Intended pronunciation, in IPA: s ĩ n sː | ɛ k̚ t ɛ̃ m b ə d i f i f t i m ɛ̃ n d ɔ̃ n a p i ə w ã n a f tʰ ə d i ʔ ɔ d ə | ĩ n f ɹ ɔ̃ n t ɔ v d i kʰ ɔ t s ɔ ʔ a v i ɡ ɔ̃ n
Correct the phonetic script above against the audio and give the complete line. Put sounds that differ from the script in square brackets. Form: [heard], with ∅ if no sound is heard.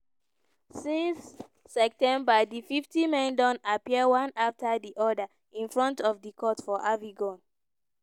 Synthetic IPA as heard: s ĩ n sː | ɛ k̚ t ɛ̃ m b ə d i f i f t i m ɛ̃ n d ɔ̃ n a p i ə w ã n a f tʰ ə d i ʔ ɔ d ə | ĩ n f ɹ ɔ̃ n t ɔ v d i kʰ ɔ t [f] ɔ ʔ a v i ɡ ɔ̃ n